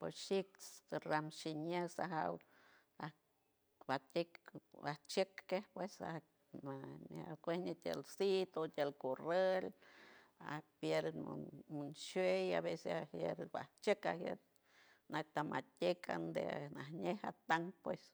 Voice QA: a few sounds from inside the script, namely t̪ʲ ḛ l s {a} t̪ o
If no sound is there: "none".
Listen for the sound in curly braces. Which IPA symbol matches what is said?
i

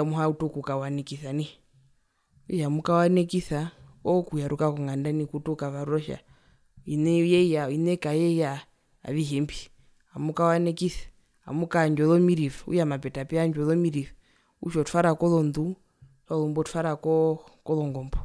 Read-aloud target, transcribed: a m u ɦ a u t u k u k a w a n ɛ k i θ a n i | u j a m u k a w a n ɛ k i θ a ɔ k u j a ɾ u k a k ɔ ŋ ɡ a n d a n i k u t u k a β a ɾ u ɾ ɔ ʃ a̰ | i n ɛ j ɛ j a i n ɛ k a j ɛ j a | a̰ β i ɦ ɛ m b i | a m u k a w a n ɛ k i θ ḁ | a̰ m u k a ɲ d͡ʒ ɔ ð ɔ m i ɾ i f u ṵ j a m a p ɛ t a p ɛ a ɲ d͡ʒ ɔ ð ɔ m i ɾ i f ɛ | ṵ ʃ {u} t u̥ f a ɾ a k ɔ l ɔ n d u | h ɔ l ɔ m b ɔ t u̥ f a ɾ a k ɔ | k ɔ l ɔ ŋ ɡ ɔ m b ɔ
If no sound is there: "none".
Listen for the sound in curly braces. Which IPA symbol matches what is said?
ɔ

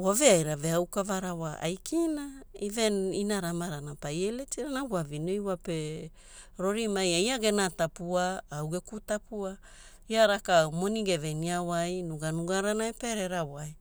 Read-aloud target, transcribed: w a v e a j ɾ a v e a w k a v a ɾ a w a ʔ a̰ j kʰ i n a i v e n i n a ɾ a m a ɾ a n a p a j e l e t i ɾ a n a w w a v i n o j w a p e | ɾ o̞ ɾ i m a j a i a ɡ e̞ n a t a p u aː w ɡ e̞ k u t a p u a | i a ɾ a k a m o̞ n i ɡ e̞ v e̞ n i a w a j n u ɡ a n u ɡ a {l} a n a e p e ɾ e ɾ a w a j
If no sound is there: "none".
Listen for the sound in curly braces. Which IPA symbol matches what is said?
ɾ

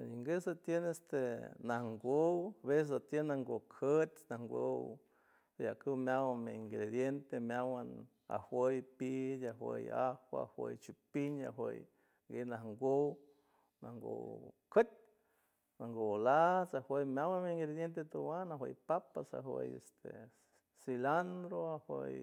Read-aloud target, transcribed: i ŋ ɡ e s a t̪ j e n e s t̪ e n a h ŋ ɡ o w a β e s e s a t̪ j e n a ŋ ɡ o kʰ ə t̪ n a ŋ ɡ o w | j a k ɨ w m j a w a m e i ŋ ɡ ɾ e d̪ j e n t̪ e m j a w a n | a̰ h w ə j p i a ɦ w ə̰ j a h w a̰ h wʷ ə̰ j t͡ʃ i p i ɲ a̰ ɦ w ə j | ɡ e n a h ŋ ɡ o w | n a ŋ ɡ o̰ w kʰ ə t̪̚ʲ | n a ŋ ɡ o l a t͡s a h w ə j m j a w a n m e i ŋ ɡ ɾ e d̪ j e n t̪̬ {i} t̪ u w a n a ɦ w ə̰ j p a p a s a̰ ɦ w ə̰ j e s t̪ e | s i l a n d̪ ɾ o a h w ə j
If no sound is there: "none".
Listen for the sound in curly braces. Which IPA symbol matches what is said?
e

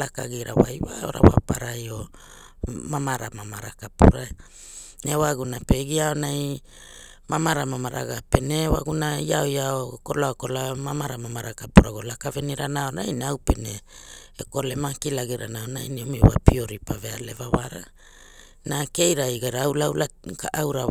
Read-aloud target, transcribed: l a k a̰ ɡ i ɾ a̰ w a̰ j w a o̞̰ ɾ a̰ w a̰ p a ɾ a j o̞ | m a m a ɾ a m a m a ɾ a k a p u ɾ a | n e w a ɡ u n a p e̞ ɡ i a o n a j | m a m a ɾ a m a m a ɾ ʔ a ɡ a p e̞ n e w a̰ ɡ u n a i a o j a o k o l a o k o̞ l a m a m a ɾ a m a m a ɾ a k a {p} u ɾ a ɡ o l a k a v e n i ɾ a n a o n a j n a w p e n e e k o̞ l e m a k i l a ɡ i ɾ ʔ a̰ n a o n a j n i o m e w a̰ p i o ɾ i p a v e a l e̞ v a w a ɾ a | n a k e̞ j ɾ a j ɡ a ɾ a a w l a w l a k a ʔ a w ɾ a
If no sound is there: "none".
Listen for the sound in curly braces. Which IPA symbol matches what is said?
p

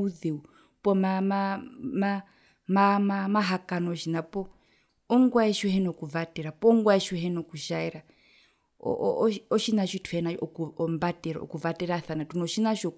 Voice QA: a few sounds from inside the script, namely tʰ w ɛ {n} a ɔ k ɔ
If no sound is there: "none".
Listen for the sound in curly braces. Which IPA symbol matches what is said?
n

